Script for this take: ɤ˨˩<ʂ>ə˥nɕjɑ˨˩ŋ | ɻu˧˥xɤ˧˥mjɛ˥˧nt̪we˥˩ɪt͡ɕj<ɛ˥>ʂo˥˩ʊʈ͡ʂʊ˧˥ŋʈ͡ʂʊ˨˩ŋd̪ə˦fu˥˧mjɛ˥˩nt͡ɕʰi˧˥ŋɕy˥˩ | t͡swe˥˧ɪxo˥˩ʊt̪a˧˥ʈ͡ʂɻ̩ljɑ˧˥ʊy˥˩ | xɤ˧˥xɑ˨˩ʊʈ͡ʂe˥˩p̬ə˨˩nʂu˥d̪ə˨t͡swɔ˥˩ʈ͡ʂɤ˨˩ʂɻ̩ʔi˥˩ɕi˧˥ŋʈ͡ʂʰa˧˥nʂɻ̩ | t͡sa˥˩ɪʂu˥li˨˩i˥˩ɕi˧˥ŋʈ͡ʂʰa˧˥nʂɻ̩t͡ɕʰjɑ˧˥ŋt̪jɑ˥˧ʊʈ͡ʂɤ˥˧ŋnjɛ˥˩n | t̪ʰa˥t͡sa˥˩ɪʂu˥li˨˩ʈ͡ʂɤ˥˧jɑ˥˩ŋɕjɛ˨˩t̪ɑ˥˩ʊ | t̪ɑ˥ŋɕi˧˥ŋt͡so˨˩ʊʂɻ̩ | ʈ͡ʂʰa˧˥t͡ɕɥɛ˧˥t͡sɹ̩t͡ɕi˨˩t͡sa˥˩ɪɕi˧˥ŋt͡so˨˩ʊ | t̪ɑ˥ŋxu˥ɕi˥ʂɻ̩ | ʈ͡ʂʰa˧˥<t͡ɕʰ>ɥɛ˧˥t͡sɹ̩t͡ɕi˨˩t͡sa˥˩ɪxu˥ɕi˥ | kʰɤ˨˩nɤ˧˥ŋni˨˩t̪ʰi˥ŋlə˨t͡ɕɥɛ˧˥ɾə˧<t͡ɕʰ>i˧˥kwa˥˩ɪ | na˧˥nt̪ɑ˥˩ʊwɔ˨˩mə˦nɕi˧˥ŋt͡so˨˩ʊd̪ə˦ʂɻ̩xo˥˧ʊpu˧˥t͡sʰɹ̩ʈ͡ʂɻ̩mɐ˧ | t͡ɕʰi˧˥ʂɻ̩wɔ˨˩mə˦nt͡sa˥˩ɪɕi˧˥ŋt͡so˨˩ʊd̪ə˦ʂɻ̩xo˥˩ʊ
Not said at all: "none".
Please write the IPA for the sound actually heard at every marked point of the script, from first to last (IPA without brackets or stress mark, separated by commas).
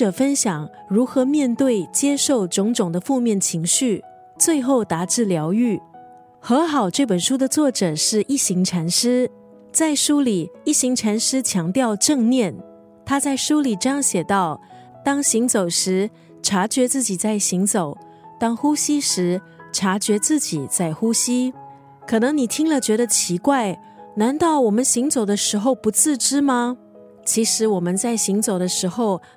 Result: f, ɛ˥, t͡ɕ, t͡ɕʰ